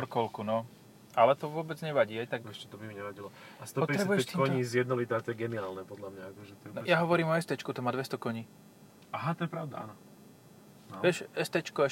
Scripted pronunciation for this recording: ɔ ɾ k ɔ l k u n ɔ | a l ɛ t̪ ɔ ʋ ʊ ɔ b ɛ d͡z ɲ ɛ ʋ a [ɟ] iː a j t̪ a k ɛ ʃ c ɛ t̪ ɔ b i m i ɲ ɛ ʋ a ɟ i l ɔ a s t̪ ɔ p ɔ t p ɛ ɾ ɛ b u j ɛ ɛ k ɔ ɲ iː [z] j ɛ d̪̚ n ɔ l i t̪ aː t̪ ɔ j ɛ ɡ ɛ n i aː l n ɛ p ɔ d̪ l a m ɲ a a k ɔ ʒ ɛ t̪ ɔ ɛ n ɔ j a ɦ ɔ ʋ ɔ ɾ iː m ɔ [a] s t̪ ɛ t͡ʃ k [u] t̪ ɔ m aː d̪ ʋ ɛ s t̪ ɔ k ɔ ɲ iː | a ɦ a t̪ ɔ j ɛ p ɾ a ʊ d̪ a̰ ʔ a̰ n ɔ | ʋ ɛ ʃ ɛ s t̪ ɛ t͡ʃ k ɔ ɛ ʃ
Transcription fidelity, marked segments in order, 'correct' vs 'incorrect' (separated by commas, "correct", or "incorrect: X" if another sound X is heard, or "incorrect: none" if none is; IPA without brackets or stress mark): correct, correct, incorrect: ɛ, correct